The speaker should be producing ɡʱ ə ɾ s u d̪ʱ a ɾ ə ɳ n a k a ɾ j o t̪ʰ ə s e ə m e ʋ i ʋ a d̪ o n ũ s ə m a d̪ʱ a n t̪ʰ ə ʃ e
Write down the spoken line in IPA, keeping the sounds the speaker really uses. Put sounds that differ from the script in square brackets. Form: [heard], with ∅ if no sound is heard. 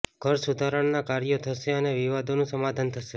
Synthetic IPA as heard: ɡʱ ə ɾ s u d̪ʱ a ɾ ə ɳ n a k a ɾ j o t̪ʰ ə [ʃ] e ə [n] e ʋ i ʋ a d̪ o n ũ s ə m a d̪ʱ a n t̪ʰ ə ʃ e